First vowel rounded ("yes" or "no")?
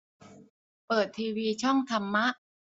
no